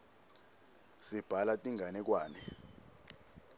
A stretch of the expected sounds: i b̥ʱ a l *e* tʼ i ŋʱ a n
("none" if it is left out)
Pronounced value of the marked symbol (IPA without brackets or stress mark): a